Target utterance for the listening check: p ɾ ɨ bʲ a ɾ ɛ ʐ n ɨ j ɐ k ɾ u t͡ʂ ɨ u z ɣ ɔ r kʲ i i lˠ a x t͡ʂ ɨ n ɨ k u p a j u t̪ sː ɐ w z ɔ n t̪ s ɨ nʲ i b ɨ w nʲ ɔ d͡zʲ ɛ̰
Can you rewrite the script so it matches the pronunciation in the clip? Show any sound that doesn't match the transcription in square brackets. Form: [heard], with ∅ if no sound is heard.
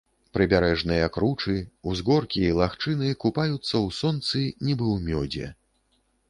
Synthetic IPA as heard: p ɾ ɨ bʲ a ɾ ɛ ʐ n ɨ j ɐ k ɾ u t͡ʂ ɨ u z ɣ ɔ r kʲ i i lˠ a x t͡ʂ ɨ n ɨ k u p a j u t̪ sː ɐ w [s] ɔ n t̪ s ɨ nʲ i b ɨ w [mʲ] ɔ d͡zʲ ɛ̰